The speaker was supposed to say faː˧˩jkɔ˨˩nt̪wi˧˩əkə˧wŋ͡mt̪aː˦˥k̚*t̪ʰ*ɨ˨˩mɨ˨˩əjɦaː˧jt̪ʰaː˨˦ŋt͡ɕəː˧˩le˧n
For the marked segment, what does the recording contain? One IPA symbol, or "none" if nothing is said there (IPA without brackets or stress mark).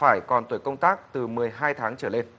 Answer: t̪